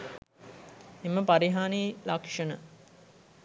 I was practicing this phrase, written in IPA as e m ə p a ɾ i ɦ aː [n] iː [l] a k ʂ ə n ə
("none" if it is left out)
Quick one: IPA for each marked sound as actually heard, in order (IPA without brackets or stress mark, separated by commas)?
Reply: n, l